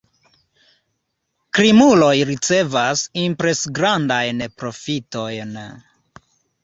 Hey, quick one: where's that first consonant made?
velum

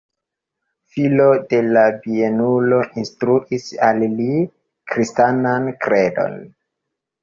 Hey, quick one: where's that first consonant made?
lips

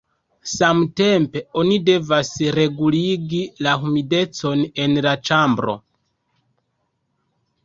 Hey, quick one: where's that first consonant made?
tongue tip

